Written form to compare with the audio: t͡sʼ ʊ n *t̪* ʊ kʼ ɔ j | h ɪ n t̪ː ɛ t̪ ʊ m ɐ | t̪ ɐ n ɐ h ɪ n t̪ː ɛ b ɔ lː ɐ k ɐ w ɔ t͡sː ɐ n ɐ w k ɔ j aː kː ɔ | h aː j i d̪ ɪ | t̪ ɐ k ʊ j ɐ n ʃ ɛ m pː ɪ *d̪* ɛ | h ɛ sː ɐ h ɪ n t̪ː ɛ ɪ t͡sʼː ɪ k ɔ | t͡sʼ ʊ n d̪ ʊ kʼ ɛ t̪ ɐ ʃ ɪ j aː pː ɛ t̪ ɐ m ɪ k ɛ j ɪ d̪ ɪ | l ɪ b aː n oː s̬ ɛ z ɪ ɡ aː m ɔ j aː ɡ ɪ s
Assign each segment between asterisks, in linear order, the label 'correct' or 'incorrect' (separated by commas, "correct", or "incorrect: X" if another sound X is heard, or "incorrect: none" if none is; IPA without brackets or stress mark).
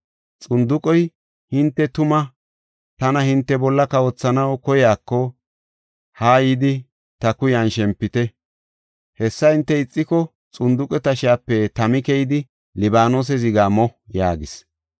incorrect: d̪, incorrect: t̪